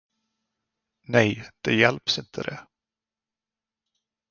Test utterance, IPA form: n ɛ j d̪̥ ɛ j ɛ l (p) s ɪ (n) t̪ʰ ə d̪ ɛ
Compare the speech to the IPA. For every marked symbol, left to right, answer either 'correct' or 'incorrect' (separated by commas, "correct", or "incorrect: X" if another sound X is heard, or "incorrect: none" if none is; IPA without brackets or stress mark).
correct, correct